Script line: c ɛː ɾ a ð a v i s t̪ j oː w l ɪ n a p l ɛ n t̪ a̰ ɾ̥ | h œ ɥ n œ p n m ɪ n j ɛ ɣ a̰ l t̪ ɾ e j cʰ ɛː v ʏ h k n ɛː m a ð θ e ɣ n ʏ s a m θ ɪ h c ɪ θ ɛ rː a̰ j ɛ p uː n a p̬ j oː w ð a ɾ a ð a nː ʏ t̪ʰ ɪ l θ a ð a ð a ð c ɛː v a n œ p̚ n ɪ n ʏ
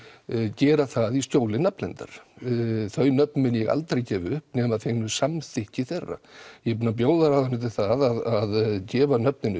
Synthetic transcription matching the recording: c ɛː ɾ a θ a ð i s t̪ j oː w l ɪ n a p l ɛ n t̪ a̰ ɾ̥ | θ œ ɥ n œ p n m ɪ n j ɛ ɣ a̰ l t̪ ɾ e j c ɛː v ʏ h p n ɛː m a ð θ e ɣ n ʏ s a m θ ɪ h c ɪ θ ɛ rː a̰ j ɛ p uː n a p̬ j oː w ð a ɾ a ð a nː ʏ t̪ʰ ɪ l θ a ð a ð a ð c ɛː v a n œ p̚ n ɪ n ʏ